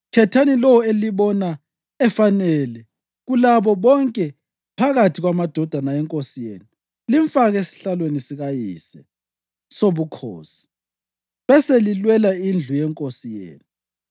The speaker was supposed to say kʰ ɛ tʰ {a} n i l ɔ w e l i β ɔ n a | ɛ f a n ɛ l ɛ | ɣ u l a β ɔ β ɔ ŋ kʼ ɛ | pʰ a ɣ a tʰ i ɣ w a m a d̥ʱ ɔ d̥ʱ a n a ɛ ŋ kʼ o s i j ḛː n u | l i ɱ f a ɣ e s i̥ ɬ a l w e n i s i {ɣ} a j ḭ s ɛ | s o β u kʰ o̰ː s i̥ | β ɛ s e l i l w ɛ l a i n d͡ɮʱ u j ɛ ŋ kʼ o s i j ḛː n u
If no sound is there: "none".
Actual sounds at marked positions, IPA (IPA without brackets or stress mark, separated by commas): a, ɣ